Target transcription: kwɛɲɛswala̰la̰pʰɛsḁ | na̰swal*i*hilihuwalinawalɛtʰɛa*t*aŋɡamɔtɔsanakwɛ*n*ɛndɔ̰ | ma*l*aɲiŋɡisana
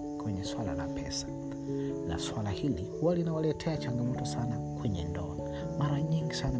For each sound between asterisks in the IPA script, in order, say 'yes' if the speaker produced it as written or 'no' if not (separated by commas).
no, no, no, no